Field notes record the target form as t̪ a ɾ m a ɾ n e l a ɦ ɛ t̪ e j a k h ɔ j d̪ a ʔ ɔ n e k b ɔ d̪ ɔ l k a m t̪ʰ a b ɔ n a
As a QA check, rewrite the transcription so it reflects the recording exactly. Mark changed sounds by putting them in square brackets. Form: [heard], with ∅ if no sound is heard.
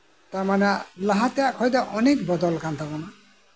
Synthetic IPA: t̪ a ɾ m a [∅] n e l a ɦ [a] t̪ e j a k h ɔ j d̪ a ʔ ɔ n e k b ɔ d̪ ɔ l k a [n] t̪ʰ a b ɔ n a

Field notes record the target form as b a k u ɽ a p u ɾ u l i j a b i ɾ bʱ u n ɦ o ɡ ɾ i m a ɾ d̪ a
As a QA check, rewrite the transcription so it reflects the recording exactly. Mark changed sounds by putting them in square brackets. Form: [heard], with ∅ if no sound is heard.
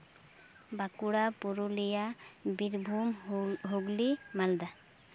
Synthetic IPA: b a k u ɽ a p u ɾ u l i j a b i ɾ bʱ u [m] ɦ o ɡ [l] i m a [l] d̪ a

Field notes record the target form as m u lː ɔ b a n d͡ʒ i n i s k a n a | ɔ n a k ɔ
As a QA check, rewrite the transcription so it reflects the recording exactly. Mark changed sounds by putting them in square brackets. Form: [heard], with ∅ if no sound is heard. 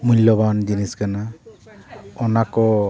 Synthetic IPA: m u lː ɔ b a n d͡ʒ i n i s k a n a | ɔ n a k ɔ

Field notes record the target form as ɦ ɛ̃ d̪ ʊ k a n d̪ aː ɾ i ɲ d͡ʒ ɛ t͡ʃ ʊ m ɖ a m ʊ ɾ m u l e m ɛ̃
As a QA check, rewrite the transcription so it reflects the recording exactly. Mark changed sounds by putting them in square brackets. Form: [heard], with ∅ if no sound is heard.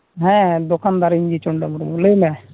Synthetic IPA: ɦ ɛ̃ d̪ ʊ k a n d̪ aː ɾ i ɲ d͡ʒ [i] t͡ʃ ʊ [ɳ] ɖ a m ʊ ɾ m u l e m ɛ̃

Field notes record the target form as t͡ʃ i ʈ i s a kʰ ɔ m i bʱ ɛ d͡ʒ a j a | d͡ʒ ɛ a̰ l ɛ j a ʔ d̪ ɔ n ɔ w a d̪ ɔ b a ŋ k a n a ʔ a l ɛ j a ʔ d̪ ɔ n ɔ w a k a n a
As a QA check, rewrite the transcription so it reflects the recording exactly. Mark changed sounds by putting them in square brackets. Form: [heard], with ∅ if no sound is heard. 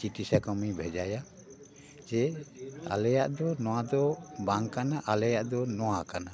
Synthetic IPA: t͡ʃ i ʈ i s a [k] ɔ m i bʱ ɛ d͡ʒ a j a | d͡ʒ ɛ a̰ l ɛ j a ʔ d̪ ɔ n ɔ w a d̪ ɔ b a ŋ k a n a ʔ a l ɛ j a ʔ d̪ ɔ n ɔ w a k a n a

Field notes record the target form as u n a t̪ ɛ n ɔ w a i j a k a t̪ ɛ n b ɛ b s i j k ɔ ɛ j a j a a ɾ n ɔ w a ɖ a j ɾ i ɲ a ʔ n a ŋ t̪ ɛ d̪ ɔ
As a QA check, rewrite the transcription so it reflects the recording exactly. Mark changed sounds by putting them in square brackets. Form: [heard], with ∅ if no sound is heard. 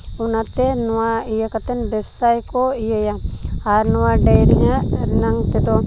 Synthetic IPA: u n a t̪ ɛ n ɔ w a i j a k a t̪ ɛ n b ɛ b s [a] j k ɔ [i] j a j a a ɾ n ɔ w a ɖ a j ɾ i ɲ a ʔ n a ŋ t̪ ɛ d̪ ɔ

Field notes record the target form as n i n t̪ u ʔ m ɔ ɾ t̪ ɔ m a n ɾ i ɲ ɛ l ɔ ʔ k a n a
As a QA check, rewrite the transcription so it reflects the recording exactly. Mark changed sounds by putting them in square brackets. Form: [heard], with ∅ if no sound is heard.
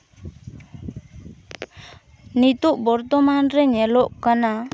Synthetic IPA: n i [∅] t̪ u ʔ [b] ɔ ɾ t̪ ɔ m a n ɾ [ɛ] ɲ ɛ l ɔ ʔ k a n a

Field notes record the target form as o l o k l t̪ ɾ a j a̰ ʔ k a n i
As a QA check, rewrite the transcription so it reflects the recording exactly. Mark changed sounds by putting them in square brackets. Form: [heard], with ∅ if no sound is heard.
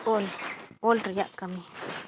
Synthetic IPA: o l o [∅] l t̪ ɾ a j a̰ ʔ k a [m] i

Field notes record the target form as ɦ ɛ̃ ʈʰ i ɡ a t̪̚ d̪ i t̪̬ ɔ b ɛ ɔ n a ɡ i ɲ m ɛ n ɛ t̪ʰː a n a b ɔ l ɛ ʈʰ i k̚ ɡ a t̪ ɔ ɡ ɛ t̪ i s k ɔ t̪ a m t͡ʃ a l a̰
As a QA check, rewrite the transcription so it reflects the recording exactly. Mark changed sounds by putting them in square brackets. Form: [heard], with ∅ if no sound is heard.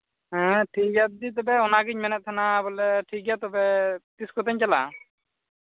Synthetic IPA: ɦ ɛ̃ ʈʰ i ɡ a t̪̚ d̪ i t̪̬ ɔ b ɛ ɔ n a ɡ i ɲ m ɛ n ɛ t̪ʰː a n a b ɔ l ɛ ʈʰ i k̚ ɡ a t̪ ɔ [b] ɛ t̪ i s k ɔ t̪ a [ɲ] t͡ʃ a l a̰

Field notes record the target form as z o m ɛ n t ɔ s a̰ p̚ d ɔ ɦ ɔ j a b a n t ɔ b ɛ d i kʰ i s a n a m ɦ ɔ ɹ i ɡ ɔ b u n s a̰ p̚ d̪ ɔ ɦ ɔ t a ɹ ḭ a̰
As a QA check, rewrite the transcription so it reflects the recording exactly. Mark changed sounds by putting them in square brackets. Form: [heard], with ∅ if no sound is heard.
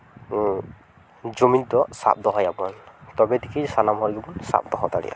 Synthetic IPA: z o m [i] n t ɔ s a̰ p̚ d ɔ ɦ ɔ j a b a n t ɔ b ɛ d i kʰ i s a n a m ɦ ɔ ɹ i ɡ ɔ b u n s a̰ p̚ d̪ ɔ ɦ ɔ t a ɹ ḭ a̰

